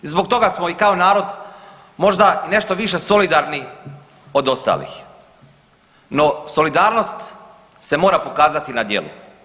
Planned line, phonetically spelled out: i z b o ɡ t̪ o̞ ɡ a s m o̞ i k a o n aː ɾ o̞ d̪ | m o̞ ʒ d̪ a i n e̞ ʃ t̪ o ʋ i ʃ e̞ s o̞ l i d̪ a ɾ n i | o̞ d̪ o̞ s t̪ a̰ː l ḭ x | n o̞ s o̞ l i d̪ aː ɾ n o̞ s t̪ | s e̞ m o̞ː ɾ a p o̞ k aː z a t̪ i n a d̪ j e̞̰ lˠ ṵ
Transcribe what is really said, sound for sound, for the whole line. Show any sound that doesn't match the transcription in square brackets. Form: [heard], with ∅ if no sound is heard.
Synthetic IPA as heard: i z b o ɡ t̪ o̞ ɡ a s m o̞ i k a o n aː ɾ o̞ d̪ | m o̞ ʒ d̪ a i n e̞ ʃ t̪ o ʋ i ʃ e̞ s o̞ l i d̪ a ɾ n i | o̞ d̪ o̞ s t̪ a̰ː l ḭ x | n o̞ s o̞ l i d̪ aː ɾ n o̞ s t̪ | s e̞ m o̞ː ɾ a p o̞ k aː z a t̪ i n a d̪ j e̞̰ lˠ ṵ